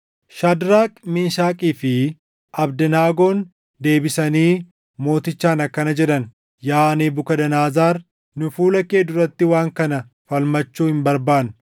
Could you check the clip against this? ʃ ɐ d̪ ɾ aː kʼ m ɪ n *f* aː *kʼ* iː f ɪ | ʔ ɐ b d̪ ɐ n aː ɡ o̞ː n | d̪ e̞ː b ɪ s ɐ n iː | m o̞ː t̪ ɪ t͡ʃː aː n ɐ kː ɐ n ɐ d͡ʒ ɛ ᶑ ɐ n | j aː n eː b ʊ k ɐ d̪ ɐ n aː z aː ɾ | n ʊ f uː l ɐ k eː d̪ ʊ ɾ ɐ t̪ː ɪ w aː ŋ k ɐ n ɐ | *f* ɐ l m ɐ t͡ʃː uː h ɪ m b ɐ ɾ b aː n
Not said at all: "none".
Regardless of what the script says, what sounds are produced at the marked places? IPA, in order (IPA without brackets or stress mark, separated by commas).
ʃ, kʼ, f